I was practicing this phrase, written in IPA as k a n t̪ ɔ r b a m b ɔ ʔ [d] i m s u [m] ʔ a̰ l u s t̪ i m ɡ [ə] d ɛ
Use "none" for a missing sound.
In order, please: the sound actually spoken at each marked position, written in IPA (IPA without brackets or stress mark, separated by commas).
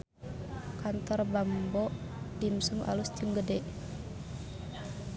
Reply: d, m, ə